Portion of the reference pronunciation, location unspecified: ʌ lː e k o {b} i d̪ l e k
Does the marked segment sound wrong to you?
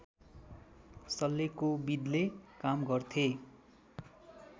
no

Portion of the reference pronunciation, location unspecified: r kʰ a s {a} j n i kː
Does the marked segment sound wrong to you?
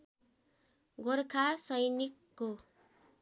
yes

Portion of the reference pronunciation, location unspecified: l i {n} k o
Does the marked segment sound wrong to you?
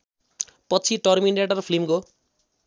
yes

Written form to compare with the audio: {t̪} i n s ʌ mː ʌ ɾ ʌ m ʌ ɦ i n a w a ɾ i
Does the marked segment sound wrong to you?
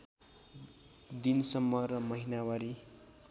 yes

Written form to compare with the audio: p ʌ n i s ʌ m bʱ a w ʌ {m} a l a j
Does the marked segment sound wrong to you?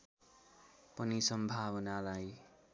yes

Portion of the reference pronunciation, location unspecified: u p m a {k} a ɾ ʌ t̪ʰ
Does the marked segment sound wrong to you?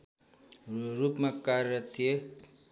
no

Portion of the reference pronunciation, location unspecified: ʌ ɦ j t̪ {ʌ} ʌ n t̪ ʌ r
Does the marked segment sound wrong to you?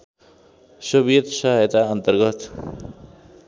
yes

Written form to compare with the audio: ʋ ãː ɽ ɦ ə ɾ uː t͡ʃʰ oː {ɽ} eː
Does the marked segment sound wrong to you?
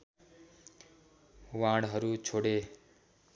no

